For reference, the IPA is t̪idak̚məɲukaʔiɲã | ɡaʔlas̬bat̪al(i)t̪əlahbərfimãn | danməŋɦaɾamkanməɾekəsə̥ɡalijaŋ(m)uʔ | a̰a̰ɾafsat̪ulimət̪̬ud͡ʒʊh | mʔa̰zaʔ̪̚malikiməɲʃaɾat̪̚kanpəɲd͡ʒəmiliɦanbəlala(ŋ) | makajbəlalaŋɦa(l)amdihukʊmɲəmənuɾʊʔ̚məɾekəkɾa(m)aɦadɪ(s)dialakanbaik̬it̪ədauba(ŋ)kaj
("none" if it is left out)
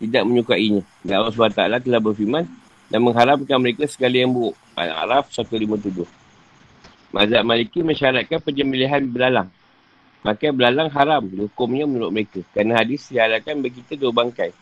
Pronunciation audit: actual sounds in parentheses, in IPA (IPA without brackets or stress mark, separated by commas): a, b, ŋ, ɾ, n, s, ŋ